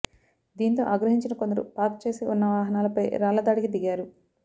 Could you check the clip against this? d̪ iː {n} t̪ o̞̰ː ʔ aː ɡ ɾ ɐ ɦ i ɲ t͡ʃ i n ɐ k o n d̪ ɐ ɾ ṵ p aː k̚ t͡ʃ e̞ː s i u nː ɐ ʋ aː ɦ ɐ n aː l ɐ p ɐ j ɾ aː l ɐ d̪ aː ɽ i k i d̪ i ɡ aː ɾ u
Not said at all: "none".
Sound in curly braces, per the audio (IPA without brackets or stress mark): n